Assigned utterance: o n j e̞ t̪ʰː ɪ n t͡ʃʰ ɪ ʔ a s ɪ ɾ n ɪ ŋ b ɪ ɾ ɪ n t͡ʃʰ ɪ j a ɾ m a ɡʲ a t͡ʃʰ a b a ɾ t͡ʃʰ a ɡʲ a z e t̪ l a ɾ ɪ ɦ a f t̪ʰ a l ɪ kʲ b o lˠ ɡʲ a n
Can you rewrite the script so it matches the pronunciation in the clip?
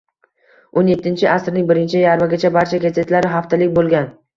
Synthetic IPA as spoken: o n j e̞ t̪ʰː ɪ n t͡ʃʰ ɪ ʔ a s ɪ ɾ n ɪ ŋ b ɪ ɾ ɪ n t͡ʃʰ ɪ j a ɾ m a ɡʲ a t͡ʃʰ a b a ɾ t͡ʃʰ a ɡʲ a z e t̪ l a ɾ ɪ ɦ a f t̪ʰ a l ɪ kʲ b o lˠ ɡʲ a n